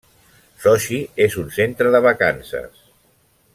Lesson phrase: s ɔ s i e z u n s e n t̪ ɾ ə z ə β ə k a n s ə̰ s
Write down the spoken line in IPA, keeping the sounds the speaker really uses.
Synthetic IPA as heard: s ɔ ʃ i e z u n s e n t̪ ɾ ə ð ə β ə k a n s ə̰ s